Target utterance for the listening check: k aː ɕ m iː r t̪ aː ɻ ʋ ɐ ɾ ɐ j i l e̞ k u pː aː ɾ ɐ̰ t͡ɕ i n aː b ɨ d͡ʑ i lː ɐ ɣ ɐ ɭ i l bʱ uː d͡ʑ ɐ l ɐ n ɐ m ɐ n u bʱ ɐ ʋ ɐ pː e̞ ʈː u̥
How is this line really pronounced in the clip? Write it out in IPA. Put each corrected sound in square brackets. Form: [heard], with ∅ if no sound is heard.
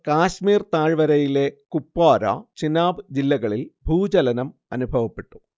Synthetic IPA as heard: k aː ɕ m iː r t̪ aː ɻ ʋ ɐ ɾ ɐ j i l e̞ k u pː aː ɾ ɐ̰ t͡ɕ i n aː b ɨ d͡ʑ i lː ɐ ɣ ɐ ɭ i l bʱ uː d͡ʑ ɐ l ɐ n ɐ m ɐ n u bʱ ɐ ʋ ɐ pː e̞ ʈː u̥

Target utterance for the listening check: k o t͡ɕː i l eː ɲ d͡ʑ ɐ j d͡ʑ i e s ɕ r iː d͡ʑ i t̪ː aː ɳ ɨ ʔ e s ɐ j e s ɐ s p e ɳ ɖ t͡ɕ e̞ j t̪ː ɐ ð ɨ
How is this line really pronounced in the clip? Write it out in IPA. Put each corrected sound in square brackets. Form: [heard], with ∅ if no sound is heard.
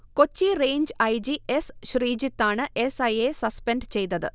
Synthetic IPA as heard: k o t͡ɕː i [r] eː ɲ d͡ʑ ɐ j d͡ʑ i e s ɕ r iː d͡ʑ i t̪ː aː ɳ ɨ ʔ e s ɐ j e s ɐ s p e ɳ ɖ t͡ɕ e̞ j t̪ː ɐ ð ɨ

